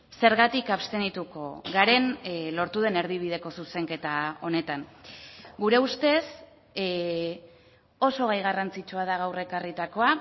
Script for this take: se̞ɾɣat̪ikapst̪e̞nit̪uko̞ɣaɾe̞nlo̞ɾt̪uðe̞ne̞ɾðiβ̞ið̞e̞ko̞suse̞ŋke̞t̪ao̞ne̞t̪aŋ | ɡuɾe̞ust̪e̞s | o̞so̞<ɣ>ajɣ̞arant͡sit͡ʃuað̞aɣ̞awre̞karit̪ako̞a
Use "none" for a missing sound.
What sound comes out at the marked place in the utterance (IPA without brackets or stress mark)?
ɣ